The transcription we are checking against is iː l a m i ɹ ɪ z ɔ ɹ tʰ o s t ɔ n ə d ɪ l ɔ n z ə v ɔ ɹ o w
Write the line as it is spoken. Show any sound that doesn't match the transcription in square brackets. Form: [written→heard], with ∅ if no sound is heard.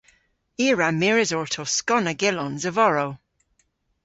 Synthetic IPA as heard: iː [l→ɹ] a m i ɹ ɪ z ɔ ɹ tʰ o s [t→k] ɔ n ə [d→ɡ] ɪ l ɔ n z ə v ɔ ɹ o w